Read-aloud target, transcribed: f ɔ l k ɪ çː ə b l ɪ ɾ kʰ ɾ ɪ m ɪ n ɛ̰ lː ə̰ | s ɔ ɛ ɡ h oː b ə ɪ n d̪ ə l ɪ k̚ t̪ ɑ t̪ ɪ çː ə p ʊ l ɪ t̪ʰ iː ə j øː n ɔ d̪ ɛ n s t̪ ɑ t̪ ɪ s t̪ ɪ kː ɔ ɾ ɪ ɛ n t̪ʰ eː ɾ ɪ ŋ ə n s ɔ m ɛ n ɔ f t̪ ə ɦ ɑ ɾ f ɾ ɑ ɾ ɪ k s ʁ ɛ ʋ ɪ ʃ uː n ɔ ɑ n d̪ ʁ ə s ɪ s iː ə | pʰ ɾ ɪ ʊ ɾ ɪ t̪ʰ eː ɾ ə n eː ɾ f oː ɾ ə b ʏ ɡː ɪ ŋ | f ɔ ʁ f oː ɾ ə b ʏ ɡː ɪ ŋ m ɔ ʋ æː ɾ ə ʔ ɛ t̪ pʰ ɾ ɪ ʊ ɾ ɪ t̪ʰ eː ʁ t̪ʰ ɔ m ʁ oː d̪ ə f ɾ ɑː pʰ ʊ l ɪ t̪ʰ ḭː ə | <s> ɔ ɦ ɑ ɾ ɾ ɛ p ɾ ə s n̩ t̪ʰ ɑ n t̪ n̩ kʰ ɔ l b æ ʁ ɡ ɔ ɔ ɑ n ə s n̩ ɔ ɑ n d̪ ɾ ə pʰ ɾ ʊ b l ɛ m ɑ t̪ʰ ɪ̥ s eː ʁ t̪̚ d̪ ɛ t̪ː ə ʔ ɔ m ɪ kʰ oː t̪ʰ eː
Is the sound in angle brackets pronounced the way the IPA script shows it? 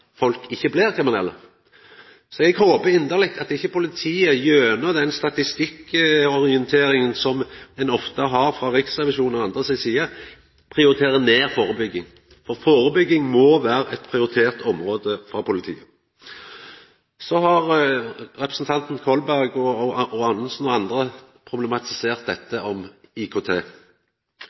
yes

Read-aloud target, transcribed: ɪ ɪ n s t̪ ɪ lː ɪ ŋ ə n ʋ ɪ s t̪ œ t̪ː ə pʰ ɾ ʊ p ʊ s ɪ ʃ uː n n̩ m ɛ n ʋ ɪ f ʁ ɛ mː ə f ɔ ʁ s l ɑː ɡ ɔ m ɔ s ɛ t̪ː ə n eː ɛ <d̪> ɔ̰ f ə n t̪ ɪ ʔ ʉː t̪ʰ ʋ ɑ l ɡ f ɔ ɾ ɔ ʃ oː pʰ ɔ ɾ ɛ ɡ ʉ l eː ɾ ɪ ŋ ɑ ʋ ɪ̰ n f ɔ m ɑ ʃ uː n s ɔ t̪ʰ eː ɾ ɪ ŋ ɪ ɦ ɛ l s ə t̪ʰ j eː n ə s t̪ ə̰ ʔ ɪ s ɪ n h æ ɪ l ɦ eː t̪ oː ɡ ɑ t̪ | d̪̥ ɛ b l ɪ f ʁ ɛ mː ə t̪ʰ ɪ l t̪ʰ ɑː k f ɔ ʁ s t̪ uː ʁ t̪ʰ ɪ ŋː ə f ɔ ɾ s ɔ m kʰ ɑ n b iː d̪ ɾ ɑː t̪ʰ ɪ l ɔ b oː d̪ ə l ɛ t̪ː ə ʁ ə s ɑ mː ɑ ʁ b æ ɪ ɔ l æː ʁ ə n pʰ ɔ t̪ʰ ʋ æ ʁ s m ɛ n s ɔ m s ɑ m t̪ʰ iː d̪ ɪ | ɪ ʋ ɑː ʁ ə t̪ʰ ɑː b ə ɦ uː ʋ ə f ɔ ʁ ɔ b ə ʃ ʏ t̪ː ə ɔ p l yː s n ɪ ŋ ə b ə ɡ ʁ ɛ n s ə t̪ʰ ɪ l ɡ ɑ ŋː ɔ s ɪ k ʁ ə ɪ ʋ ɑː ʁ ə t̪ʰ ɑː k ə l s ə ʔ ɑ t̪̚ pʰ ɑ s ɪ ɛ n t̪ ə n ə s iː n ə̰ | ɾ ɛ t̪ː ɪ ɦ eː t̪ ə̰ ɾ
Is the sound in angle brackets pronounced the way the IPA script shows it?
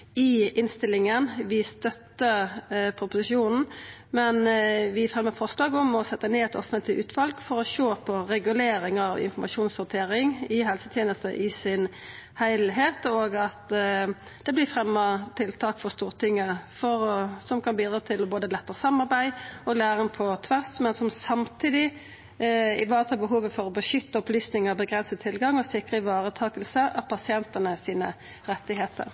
no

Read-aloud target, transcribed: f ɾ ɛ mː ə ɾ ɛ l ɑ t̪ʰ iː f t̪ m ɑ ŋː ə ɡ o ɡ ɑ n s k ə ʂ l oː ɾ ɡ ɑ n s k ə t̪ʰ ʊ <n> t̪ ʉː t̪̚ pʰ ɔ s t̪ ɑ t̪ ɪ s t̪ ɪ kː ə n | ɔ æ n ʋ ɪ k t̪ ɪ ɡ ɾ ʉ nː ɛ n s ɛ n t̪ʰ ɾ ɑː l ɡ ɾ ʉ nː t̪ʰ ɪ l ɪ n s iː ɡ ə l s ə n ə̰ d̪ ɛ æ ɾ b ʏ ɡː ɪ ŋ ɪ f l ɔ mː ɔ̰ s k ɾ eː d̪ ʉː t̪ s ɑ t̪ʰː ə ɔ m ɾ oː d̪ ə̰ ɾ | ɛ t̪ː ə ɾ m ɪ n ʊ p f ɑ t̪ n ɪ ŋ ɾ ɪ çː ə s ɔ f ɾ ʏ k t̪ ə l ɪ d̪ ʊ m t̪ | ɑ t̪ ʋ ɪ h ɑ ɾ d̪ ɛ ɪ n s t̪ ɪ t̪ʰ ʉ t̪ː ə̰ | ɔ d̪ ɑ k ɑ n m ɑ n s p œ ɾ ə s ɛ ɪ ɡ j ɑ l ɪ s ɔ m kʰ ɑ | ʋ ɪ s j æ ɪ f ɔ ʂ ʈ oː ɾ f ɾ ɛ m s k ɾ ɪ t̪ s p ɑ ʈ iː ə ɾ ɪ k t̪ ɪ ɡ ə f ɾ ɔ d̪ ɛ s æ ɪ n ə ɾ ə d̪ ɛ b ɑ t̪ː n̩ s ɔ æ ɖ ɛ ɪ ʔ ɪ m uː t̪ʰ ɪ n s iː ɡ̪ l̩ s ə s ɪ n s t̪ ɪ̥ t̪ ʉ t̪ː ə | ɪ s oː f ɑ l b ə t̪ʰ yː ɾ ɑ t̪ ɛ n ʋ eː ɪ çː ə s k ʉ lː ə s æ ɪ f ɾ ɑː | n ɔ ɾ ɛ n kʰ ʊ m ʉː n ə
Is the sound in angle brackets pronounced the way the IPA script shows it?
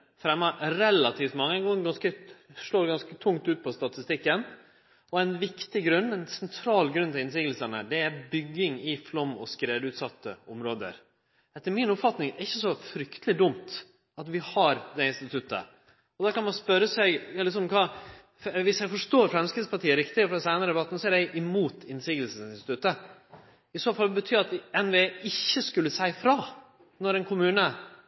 no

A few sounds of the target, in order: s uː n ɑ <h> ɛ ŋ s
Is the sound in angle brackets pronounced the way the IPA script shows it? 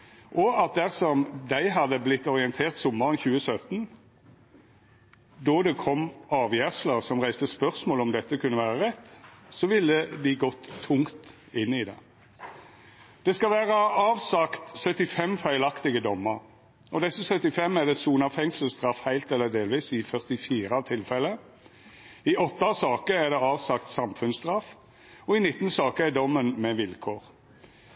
no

